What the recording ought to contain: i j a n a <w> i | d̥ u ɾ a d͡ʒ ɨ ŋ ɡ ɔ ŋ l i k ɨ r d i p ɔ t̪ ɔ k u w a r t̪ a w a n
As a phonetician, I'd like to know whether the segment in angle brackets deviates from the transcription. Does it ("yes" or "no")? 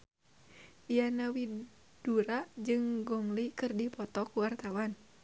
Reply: no